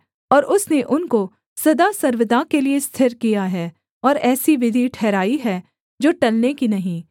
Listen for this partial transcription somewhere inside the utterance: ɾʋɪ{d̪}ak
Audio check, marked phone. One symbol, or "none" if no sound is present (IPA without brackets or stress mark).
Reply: d̪